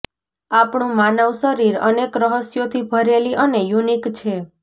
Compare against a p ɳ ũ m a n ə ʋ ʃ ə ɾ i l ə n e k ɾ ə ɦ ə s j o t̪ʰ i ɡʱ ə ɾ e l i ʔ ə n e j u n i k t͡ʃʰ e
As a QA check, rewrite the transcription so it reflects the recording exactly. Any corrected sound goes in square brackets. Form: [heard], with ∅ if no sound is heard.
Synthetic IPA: a p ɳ ũ m a n ə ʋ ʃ ə ɾ i [ɾ] ə n e k ɾ ə ɦ ə s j o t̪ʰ i [bʱ] ə ɾ e l i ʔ ə n e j u n i k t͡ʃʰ e